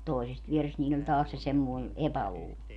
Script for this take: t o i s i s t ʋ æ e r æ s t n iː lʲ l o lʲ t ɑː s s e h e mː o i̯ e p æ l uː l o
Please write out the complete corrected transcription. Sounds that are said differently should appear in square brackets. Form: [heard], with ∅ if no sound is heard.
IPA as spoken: t o i s [e] s t ʋ [i] e r [e] s t n iː lʲ l o lʲ t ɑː s s e [s] e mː o i̯ e p æ l uː l o